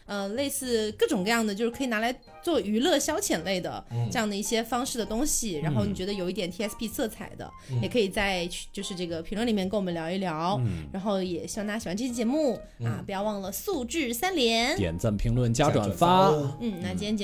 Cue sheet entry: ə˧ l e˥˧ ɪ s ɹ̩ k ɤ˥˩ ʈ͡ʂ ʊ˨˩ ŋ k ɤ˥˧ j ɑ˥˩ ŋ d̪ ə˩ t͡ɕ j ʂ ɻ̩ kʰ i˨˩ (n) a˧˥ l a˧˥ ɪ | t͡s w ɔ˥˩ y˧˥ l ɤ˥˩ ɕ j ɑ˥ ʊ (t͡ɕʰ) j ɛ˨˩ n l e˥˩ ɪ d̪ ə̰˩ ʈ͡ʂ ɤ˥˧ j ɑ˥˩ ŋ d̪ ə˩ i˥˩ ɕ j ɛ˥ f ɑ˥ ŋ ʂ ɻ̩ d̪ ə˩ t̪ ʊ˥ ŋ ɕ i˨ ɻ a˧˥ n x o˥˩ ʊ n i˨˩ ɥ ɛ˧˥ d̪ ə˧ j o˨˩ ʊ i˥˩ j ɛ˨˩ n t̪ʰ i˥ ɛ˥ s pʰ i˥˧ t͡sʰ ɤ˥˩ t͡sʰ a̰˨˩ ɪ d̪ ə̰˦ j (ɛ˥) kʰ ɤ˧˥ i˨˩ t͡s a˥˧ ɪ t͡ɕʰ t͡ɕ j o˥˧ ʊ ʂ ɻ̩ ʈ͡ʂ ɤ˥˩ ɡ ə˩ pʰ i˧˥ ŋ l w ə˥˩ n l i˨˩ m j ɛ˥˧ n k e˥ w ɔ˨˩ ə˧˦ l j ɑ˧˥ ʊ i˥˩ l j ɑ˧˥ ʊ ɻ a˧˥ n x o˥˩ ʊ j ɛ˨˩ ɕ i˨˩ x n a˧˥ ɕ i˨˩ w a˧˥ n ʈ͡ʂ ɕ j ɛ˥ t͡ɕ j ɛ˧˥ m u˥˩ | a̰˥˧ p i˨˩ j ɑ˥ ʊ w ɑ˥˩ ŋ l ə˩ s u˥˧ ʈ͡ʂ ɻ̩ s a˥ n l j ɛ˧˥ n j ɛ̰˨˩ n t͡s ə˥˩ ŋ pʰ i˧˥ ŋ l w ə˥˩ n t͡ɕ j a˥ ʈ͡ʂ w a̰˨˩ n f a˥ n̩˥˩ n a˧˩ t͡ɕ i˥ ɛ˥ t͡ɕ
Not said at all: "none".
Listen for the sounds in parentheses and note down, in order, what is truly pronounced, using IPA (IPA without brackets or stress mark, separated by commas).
n, t͡ɕʰ, ɛ˨˩